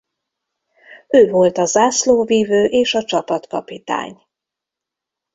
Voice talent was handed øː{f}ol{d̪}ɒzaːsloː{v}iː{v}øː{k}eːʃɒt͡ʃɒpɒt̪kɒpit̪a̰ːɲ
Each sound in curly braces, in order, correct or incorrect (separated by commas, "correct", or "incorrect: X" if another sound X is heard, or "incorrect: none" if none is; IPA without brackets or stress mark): incorrect: v, incorrect: t̪, correct, correct, incorrect: ʔ